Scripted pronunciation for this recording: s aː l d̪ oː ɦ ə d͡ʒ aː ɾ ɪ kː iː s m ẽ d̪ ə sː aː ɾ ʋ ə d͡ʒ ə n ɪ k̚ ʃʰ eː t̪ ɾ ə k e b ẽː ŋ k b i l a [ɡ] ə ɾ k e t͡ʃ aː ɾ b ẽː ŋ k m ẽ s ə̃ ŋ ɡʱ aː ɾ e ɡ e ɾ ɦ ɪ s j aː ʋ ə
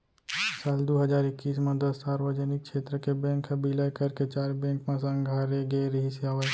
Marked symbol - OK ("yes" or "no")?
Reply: no